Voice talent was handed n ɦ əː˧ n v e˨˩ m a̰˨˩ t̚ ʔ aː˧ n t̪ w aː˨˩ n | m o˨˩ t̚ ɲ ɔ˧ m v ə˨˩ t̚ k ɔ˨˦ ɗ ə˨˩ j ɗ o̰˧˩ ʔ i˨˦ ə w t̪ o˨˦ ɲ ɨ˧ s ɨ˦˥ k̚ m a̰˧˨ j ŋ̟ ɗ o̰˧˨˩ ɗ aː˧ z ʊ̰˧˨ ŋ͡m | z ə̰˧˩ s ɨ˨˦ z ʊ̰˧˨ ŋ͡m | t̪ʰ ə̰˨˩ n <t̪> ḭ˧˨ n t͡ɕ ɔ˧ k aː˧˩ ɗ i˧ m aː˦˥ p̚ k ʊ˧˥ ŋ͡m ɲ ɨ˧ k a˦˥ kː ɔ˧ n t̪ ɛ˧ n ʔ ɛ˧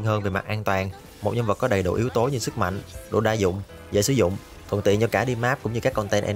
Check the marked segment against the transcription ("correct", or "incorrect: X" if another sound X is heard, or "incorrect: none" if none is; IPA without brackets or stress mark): correct